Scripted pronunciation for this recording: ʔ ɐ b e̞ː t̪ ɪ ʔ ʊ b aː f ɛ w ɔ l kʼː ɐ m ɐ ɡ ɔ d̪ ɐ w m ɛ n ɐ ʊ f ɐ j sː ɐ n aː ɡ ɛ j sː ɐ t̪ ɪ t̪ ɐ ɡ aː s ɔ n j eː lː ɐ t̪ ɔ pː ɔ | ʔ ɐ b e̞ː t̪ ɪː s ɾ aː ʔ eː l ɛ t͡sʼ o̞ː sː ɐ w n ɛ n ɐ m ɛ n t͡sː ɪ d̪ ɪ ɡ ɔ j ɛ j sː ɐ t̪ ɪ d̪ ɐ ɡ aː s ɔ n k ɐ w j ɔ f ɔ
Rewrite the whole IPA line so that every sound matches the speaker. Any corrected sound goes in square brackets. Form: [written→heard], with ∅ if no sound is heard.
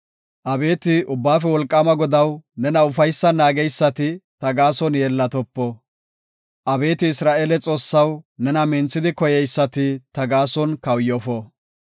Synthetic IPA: ʔ ɐ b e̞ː t̪ ɪ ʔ ʊ [b→bː] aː f ɛ w ɔ l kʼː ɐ m ɐ ɡ ɔ d̪ ɐ w [m→n] ɛ n ɐ ʊ f ɐ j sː ɐ n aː ɡ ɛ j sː ɐ t̪ ɪ t̪ ɐ ɡ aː s ɔ n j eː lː ɐ t̪ ɔ pː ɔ | ʔ ɐ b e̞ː t̪ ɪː s ɾ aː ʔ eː l ɛ t͡sʼ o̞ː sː ɐ w n ɛ n ɐ m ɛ n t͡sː ɪ d̪ ɪ [ɡ→k] ɔ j ɛ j sː ɐ t̪ ɪ [d̪→t̪] ɐ ɡ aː s ɔ n k ɐ w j ɔ f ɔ